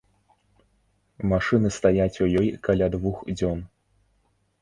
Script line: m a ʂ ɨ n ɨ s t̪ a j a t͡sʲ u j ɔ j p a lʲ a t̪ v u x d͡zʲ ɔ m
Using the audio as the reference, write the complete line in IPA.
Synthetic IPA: m a ʂ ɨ n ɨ s t̪ a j a t͡sʲ u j ɔ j k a lʲ a d̪ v u x d͡zʲ ɔ n